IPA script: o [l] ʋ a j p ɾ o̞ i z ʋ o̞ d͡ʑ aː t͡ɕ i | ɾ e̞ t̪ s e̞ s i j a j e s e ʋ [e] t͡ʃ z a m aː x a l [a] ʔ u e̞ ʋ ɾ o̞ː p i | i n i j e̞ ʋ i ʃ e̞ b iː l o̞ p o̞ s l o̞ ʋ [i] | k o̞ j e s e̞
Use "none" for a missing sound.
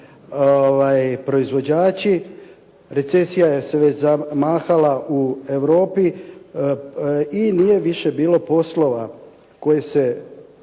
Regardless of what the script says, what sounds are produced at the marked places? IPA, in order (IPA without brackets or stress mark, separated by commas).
none, e, a, a